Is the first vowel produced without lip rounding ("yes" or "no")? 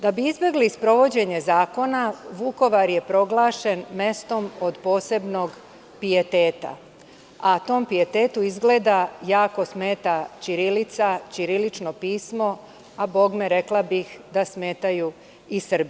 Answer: yes